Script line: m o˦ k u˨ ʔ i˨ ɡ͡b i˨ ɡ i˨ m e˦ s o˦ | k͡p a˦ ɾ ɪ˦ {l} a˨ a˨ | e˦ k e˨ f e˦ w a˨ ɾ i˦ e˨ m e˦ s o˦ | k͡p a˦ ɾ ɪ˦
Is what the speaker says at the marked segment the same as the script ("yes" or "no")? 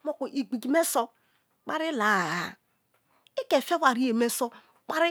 yes